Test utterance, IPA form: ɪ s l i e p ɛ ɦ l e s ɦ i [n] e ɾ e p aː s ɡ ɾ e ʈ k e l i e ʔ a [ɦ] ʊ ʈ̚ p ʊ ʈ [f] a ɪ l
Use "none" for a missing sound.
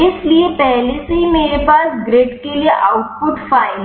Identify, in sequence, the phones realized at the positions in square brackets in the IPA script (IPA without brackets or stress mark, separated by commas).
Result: m, none, f